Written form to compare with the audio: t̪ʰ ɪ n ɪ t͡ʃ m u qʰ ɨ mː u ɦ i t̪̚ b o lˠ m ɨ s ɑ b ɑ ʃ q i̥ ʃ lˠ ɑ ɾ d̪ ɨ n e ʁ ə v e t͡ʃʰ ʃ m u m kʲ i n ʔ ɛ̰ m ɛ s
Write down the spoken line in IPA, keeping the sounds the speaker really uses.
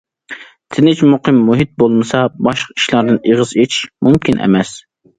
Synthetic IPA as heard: t̪ʰ ɪ n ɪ t͡ʃ m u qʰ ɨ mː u ɦ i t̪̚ b o lˠ m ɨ s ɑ b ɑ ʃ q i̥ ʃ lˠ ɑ ɾ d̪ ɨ n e ʁ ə z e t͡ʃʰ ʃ m u m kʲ i n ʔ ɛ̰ m ɛ s